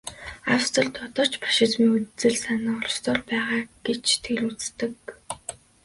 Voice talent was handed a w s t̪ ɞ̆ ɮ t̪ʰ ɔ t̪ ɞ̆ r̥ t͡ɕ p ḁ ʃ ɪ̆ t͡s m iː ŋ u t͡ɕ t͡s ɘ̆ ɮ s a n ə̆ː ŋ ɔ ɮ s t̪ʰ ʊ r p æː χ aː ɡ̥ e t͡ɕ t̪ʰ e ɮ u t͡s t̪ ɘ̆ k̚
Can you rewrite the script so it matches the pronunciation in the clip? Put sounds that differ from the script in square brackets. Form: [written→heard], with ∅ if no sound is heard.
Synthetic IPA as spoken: a w s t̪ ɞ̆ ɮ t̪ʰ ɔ t̪ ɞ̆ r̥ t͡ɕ p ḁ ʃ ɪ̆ t͡s m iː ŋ u [t͡ɕ→∅] t͡s ɘ̆ ɮ s a n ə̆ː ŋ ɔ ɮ s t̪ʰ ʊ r p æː [χ→ʁ] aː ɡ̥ e t͡ɕ t̪ʰ e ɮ u t͡s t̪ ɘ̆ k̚